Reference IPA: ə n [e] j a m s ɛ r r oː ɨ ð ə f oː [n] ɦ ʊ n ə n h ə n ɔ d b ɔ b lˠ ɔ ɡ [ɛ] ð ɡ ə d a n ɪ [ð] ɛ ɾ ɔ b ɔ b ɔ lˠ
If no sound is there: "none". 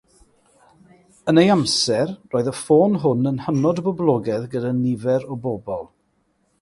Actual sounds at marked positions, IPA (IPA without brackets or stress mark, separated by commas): e, n, ɛ, v